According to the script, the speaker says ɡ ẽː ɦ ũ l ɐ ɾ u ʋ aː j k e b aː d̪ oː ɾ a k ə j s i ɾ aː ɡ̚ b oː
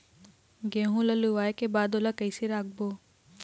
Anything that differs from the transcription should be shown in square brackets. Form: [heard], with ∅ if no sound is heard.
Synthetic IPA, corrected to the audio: ɡ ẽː ɦ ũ l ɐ [l] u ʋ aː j k e b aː d̪ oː [l] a k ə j s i ɾ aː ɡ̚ b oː